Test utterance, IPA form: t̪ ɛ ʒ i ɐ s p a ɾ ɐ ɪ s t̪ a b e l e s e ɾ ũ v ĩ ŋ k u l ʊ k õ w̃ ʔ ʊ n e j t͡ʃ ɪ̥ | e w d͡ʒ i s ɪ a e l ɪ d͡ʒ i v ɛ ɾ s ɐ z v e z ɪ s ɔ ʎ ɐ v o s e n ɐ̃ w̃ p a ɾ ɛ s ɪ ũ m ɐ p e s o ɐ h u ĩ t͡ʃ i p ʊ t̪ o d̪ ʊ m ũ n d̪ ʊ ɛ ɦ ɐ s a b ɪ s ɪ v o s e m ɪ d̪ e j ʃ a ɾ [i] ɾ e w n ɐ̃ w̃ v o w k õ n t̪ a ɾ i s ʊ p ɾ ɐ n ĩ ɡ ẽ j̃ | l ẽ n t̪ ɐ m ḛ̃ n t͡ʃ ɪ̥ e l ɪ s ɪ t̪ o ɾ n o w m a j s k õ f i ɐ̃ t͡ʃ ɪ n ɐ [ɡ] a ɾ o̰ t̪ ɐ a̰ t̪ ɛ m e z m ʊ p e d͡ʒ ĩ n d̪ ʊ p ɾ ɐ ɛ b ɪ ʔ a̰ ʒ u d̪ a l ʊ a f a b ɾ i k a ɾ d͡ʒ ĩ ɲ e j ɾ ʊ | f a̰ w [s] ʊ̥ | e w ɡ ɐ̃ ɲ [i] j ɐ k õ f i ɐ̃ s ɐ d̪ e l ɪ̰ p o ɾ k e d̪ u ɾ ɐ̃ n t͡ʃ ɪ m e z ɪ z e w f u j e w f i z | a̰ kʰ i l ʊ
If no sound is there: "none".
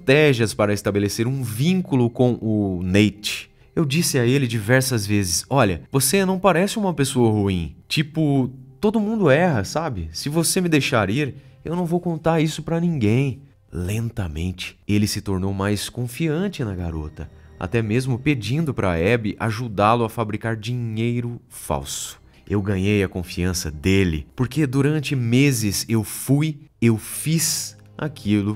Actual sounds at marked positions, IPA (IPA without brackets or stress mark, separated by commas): i, ɡ, s, e